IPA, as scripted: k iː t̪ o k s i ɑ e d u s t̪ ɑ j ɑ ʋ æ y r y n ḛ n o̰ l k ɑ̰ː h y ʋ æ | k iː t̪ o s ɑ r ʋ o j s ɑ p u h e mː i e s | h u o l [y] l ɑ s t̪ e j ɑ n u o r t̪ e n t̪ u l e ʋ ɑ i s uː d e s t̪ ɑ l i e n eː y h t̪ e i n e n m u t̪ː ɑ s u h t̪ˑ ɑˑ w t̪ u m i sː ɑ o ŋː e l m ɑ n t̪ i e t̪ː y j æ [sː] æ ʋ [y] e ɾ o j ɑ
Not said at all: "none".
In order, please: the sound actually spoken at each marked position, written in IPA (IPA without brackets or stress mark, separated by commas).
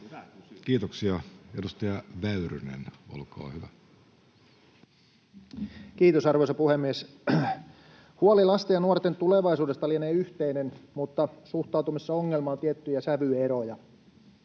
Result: i, s, y